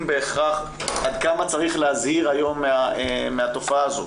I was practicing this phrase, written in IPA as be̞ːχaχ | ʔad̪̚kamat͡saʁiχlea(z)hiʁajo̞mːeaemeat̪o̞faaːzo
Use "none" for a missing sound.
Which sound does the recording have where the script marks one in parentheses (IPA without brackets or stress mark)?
z